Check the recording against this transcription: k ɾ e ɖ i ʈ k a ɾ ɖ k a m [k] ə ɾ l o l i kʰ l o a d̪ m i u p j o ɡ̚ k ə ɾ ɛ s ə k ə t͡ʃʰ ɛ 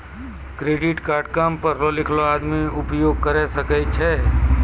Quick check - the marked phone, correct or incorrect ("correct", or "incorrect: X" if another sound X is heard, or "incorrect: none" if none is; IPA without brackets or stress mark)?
incorrect: p